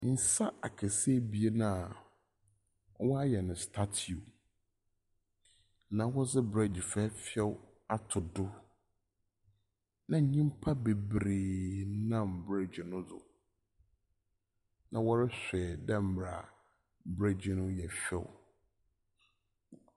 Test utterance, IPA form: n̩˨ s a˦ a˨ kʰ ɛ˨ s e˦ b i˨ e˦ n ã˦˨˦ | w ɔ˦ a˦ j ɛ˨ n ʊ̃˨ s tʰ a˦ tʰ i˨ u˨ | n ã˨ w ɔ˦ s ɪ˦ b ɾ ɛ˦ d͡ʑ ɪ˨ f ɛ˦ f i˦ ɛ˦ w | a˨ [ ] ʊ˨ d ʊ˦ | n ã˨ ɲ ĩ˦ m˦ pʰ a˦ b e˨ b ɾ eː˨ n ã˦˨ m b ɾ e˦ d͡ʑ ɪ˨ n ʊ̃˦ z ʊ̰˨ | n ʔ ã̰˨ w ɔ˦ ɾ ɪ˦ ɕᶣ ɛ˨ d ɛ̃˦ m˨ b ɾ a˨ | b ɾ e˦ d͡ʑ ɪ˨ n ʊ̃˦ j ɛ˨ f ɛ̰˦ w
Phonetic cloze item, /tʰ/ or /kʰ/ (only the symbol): tʰ